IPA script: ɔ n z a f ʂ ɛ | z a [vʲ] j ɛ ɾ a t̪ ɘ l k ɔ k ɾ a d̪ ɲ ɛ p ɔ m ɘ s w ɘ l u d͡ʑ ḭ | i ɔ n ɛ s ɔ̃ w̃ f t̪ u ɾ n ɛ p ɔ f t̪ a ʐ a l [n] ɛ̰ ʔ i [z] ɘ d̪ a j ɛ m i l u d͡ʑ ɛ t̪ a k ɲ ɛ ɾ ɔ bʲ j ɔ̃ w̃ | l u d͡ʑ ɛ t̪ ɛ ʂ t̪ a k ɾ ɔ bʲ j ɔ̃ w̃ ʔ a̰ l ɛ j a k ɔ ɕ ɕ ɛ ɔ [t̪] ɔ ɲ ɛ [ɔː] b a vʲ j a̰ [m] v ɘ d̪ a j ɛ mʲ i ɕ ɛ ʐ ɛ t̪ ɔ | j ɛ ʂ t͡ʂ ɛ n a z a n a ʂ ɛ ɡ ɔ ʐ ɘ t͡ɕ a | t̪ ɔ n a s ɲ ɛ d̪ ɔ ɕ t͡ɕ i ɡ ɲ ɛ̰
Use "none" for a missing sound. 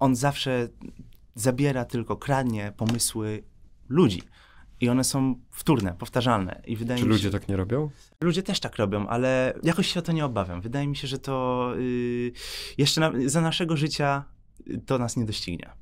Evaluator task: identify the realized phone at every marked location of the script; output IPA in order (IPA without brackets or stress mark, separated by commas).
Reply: bʲ, n, v, t̪, ɔ, m